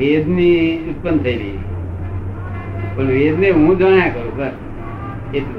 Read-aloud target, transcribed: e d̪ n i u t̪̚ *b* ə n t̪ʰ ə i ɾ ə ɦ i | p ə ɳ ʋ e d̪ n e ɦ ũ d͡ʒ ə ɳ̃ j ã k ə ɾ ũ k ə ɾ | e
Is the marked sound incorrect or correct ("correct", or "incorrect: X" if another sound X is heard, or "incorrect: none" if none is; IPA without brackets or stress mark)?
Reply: incorrect: p